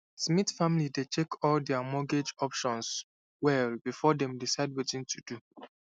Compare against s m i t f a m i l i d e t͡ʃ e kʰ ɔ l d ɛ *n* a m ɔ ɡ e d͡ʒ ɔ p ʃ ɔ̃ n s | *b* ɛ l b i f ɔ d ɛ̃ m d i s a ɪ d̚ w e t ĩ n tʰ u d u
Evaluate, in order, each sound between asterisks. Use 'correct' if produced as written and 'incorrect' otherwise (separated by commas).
incorrect, incorrect